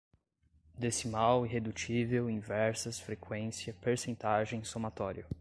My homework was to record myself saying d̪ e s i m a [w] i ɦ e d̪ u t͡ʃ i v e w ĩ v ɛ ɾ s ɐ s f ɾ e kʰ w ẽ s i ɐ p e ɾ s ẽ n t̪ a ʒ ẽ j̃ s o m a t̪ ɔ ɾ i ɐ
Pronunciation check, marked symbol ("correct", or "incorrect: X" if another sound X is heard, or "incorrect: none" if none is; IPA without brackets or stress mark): correct